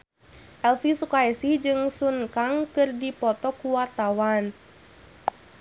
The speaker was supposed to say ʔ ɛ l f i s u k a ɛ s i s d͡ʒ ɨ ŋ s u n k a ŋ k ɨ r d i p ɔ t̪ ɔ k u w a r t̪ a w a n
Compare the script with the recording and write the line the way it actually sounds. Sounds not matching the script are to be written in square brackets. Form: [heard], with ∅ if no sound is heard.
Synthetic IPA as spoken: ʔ ɛ l f i s u k a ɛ s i [h] d͡ʒ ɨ ŋ s u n k a ŋ k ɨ r d i p ɔ t̪ ɔ k u w a r t̪ a w a n